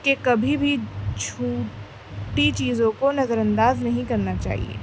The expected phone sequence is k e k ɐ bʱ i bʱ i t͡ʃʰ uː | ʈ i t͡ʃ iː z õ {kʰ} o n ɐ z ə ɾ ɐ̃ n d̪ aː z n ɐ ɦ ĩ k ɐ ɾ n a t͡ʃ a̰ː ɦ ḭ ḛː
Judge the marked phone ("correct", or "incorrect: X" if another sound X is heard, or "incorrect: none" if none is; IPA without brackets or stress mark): incorrect: k